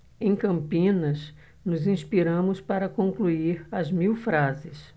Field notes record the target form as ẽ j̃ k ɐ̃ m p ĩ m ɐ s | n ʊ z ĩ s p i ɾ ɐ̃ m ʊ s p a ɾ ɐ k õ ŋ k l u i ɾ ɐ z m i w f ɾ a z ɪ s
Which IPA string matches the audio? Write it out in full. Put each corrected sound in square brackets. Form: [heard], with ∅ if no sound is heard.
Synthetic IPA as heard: ẽ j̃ k ɐ̃ m p ĩ [n] ɐ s | n ʊ z ĩ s p i ɾ ɐ̃ m ʊ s p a ɾ ɐ k õ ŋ k l u i ɾ ɐ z m i w f ɾ a z ɪ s